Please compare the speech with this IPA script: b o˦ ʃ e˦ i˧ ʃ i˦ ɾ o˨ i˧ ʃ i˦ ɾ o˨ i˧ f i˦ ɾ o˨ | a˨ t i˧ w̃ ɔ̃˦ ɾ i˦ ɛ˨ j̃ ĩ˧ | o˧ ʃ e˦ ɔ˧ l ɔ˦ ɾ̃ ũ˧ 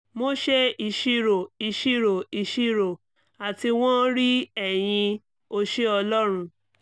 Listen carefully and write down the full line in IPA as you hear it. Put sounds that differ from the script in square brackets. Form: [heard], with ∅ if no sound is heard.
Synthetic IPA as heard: [m] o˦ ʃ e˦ i˧ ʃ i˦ ɾ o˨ i˧ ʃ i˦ ɾ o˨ i˧ [ʃ] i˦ ɾ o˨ | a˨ t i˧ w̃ ɔ̃˦ ɾ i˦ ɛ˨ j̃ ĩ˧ | o˧ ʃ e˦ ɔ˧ l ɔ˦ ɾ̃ ũ˧